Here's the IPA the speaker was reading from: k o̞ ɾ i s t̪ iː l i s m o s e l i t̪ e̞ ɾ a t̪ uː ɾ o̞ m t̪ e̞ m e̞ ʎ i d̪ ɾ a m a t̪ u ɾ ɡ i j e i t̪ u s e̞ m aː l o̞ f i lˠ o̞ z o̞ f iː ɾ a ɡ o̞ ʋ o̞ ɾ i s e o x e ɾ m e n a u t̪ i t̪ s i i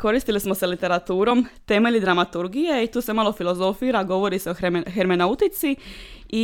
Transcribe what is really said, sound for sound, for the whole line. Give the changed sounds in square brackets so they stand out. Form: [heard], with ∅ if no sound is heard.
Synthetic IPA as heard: k o̞ ɾ i s t̪ [i] l i s m o s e l i t̪ e̞ ɾ a t̪ uː ɾ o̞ m t̪ e̞ m e̞ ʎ i d̪ ɾ a m a t̪ u ɾ ɡ i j e i t̪ [uː] s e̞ m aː l o̞ f i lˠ o̞ z o̞ f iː ɾ a ɡ o̞ ʋ o̞ ɾ i s e o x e ɾ m e n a u t̪ i t̪ s i i